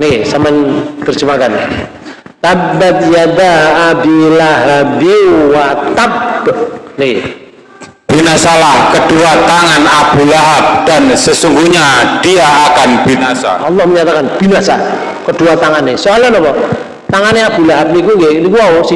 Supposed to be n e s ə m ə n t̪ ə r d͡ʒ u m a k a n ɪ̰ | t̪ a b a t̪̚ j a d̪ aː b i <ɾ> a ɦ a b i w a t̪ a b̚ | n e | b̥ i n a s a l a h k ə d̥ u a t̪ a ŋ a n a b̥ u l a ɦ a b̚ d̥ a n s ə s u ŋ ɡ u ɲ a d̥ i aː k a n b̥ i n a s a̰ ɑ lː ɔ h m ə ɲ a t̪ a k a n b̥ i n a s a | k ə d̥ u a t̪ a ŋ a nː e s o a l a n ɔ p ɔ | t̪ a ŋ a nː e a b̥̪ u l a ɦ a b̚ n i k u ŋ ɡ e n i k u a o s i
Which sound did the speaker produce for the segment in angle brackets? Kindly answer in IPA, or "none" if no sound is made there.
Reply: l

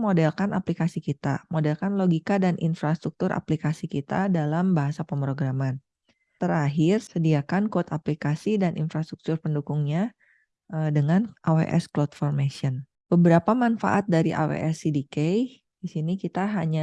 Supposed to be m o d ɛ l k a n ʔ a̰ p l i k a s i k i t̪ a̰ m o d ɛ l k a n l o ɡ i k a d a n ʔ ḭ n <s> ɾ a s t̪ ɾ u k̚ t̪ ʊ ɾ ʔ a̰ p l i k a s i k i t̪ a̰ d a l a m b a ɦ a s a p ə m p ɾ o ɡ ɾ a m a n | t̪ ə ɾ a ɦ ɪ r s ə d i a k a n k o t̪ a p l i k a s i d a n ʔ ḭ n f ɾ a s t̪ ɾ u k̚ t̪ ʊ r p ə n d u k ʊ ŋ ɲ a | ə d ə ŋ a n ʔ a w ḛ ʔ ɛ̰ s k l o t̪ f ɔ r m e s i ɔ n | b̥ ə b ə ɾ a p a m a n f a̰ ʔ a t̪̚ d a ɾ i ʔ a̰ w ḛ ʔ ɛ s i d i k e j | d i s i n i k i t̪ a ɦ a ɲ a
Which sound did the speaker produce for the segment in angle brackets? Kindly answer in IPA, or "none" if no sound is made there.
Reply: f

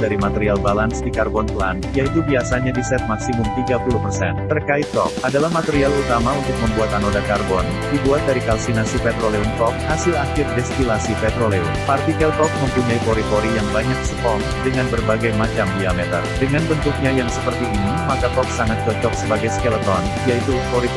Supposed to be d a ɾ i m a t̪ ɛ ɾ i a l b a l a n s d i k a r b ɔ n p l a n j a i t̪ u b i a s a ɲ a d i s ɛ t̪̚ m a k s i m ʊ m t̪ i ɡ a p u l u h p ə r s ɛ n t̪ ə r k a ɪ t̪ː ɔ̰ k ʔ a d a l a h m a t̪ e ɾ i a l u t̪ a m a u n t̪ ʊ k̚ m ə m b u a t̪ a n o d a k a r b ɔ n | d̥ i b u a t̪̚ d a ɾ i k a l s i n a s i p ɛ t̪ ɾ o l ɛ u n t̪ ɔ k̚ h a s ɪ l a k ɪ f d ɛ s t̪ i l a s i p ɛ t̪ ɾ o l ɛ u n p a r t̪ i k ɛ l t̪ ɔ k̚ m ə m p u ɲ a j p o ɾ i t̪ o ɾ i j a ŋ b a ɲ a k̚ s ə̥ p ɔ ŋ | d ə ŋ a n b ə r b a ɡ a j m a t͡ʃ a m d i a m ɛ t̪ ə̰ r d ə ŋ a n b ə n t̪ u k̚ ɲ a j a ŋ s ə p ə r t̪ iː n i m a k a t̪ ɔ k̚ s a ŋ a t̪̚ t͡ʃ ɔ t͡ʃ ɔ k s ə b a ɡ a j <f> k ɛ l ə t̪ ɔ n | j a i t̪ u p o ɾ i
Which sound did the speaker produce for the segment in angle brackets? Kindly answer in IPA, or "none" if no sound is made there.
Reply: s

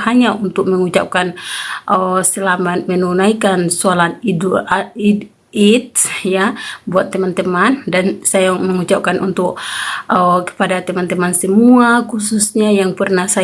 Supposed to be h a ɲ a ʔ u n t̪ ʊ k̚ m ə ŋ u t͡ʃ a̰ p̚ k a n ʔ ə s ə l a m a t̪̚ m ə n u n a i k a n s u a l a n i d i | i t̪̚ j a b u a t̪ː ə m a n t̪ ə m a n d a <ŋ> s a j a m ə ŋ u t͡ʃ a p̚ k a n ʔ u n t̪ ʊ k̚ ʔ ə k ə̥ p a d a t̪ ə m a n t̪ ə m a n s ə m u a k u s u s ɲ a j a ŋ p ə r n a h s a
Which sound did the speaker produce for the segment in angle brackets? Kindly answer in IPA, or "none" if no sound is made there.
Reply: n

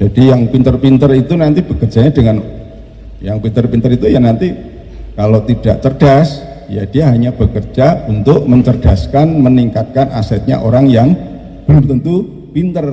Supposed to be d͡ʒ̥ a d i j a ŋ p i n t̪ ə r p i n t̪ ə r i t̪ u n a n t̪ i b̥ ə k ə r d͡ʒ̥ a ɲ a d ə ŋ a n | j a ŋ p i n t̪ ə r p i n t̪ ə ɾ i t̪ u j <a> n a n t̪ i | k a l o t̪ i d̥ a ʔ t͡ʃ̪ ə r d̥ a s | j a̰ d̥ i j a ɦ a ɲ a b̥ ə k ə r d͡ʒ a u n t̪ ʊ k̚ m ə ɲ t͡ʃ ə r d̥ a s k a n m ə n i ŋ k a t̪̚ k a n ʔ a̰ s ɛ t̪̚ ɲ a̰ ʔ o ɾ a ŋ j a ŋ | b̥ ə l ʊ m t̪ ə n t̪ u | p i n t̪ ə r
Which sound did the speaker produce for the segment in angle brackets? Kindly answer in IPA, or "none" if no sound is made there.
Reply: a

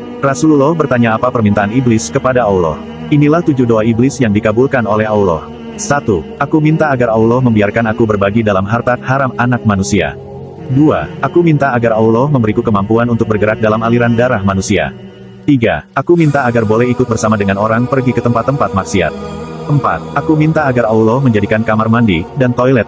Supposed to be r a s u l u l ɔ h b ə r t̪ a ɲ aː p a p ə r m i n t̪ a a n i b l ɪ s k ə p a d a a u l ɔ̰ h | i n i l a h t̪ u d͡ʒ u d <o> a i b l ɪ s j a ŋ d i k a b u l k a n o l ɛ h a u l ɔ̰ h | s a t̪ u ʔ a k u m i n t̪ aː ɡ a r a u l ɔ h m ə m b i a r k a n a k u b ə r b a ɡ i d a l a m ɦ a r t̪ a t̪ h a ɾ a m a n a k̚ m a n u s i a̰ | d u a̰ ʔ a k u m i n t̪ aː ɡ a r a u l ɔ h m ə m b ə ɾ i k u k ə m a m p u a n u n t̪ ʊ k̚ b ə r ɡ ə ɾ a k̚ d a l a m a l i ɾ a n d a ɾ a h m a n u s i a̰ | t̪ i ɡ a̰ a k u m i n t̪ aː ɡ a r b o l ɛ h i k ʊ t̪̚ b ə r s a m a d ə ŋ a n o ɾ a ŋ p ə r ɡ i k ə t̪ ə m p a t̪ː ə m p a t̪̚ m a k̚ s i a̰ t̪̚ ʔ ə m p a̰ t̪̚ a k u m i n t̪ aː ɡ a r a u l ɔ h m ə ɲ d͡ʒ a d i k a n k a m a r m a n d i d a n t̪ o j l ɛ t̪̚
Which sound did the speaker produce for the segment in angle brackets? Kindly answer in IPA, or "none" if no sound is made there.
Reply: o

